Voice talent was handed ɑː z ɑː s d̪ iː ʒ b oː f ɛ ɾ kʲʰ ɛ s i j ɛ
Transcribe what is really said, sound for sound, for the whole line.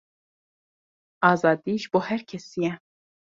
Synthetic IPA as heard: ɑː z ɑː d̪ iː ʒ b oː h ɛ ɾ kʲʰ ɛ s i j ɛ